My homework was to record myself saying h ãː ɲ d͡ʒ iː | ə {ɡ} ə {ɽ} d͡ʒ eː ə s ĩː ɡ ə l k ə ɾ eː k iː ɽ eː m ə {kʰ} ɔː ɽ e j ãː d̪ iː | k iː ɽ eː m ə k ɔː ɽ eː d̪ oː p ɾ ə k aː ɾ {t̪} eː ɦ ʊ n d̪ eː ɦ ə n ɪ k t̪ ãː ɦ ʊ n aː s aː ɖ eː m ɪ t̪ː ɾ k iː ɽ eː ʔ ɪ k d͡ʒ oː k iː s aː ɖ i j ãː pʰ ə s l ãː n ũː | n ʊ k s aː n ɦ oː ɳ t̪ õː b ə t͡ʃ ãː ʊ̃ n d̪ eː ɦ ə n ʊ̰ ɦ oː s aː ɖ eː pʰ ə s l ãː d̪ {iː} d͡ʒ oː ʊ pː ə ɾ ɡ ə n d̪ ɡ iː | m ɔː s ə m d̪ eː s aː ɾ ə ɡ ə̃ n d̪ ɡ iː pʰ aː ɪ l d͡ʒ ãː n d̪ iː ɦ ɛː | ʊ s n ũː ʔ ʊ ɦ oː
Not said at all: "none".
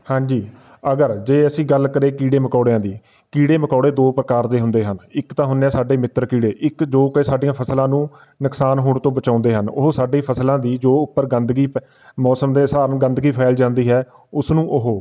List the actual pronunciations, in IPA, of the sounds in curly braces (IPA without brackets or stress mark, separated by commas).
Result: ɡ, ɾ, k, d̪, iː